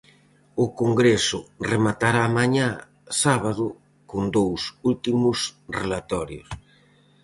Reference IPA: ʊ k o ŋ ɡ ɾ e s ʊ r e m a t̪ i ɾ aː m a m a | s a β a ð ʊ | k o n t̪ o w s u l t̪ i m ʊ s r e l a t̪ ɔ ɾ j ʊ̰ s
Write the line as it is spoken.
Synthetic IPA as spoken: ʊ k o ŋ ɡ ɾ e s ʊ r e m a t̪ a ɾ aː m a ɲ a | s a β a ð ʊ | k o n d̪ o w s u l t̪ i m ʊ s r e l a t̪ ɔ ɾ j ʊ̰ s